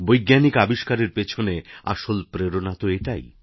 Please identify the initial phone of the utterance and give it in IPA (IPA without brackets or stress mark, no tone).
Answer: b